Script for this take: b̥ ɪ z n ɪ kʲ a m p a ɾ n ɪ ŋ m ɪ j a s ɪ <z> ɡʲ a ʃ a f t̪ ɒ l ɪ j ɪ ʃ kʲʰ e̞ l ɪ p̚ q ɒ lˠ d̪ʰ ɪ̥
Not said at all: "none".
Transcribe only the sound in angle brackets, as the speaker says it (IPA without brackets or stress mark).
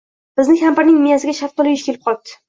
none